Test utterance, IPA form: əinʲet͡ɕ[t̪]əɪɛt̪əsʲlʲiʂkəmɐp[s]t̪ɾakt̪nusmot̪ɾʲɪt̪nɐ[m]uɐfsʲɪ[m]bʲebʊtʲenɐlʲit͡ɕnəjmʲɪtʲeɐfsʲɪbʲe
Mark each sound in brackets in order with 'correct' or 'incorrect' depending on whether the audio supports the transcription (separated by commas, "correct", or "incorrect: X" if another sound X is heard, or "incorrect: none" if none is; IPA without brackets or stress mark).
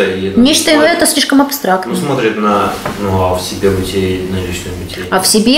correct, correct, incorrect: n, incorrect: none